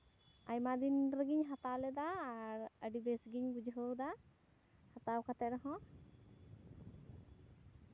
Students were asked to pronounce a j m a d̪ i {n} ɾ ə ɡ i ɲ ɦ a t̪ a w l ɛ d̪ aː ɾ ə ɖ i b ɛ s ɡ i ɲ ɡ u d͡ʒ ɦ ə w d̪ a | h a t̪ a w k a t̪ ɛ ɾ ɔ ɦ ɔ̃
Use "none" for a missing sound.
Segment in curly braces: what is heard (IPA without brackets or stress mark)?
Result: n